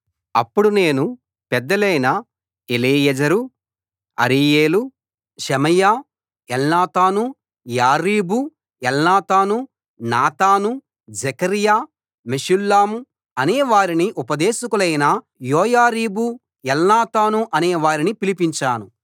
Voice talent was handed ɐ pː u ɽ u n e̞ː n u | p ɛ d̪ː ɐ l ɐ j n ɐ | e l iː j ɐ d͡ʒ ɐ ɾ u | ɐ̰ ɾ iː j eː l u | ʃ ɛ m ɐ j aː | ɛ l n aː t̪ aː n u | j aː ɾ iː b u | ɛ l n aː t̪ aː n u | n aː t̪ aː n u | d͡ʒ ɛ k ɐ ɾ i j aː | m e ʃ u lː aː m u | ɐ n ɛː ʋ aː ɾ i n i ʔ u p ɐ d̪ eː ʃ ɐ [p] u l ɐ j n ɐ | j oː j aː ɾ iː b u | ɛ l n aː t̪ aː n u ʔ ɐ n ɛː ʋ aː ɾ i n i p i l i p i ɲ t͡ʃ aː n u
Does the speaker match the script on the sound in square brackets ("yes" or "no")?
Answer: no